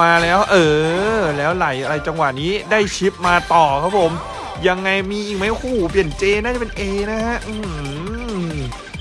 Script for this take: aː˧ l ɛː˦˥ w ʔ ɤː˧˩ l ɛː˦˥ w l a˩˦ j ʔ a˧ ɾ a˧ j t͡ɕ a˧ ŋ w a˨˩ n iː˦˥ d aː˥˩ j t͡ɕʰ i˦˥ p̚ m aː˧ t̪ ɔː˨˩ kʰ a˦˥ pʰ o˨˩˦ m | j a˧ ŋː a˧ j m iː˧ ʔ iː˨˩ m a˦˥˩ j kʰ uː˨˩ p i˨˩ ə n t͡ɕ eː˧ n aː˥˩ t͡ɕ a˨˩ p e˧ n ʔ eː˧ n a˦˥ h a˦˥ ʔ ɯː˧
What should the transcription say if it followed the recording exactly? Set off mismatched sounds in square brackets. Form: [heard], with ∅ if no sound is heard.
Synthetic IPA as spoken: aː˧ l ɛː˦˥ w ʔ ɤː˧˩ l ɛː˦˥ w l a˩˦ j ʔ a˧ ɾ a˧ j t͡ɕ a˧ ŋ w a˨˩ n iː˦˥ d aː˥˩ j t͡ɕʰ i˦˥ p̚ m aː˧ t̪ ɔː˨˩ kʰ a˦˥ pʰ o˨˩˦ m | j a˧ ŋː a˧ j m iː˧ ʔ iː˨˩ m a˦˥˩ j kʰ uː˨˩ p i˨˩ ə n t͡ɕ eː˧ n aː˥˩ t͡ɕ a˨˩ p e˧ n ʔ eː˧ n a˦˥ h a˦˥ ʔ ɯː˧